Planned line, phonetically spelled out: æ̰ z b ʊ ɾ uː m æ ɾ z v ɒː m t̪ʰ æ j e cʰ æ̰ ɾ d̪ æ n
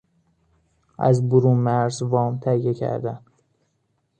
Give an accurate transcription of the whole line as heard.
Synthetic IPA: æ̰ z b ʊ ɾ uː m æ ɾ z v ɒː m t̪ʰ æ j e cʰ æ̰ ɾ d̪ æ n